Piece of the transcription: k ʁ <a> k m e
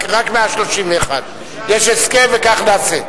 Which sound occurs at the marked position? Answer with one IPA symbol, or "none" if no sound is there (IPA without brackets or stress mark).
a